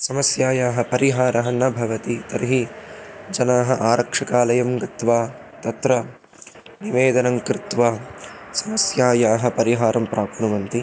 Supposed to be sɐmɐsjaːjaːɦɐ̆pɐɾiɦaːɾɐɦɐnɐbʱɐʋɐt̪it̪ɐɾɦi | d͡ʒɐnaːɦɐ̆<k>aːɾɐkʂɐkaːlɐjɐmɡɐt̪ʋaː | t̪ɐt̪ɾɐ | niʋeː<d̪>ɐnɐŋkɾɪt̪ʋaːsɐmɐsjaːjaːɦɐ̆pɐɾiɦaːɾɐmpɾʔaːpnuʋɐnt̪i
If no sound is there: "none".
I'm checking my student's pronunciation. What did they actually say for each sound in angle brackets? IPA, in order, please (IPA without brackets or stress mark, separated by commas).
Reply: ʔ, d̪